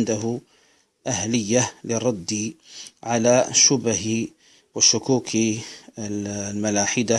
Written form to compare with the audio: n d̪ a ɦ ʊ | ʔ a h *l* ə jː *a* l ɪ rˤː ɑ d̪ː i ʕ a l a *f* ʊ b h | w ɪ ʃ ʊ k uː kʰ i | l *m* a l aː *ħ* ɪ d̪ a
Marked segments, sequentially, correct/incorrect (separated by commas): correct, correct, incorrect, correct, correct